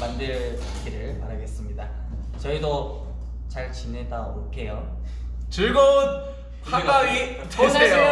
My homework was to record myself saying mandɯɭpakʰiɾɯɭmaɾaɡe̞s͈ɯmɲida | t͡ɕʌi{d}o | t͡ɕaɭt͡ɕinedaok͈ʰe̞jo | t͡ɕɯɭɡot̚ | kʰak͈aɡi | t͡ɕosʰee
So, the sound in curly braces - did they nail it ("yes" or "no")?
yes